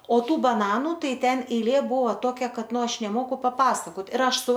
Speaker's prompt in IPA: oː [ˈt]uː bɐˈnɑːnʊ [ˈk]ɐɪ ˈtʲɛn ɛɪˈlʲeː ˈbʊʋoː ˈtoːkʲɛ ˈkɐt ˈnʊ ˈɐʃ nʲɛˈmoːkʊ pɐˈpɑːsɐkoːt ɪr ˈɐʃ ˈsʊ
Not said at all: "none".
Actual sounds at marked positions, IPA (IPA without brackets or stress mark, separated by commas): t, t